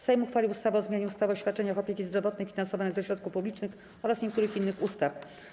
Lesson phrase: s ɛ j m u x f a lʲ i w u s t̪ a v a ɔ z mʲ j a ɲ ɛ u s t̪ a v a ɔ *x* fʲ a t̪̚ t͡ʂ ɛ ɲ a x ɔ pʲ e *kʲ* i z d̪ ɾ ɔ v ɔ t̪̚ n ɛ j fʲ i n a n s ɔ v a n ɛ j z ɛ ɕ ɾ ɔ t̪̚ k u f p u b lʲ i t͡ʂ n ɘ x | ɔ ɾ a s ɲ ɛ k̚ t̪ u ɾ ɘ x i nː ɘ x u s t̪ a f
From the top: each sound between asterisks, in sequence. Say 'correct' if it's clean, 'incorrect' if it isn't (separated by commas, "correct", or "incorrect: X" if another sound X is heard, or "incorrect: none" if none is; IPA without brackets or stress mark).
incorrect: ɕ, correct